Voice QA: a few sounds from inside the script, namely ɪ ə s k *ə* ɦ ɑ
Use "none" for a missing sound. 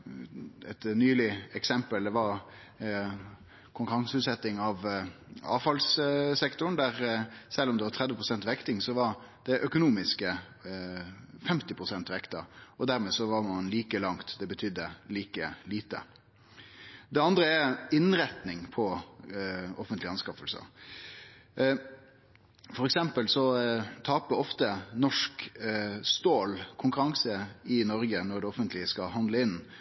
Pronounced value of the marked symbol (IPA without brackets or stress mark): ɑ